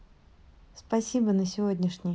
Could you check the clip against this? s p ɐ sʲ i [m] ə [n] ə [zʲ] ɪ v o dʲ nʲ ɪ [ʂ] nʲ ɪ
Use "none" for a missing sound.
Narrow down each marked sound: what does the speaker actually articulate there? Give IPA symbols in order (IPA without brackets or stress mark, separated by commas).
b, n, sʲ, ʂ